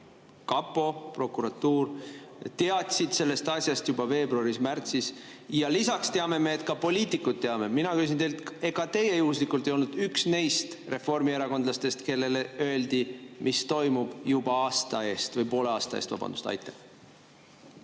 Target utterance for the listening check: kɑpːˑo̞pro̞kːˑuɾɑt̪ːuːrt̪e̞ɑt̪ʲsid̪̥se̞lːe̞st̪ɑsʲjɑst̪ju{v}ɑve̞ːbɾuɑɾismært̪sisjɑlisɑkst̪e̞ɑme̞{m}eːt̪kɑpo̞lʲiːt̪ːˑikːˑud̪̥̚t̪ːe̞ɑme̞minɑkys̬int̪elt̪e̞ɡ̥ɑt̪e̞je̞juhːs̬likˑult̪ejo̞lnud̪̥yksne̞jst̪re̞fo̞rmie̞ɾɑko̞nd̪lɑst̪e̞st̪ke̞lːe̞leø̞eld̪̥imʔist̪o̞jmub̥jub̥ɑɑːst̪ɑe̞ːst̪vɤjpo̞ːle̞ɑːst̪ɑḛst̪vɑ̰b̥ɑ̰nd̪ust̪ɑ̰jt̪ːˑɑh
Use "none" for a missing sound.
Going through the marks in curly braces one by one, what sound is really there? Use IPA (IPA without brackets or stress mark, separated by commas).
b, m